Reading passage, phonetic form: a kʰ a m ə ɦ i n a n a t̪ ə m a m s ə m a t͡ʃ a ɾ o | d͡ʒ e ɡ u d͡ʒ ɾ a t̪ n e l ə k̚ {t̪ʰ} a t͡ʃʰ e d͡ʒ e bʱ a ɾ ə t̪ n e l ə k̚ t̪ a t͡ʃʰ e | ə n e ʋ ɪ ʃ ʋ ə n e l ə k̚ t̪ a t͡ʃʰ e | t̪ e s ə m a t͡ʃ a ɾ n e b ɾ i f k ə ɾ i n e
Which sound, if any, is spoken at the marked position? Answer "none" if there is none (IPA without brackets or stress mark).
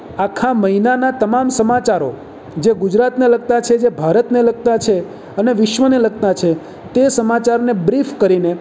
t̪